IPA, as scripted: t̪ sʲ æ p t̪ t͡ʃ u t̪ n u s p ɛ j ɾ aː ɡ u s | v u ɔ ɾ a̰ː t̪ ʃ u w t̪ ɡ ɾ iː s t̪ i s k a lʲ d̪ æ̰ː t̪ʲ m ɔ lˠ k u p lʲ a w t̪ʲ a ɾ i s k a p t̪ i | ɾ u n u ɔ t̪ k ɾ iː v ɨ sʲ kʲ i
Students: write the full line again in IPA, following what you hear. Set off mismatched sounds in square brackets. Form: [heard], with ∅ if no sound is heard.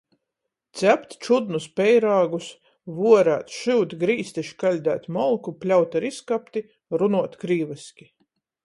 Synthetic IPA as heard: t̪ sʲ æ p t̪ t͡ʃ u [d̪] n u s p ɛ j ɾ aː ɡ u s | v u ɔ ɾ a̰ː t̪ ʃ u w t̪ ɡ ɾ iː s t̪ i [ʃ] k a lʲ d̪ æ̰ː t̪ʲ m ɔ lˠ k u p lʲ a w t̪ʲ a ɾ i s k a p t̪ i | ɾ u n u ɔ t̪ k ɾ iː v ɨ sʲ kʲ i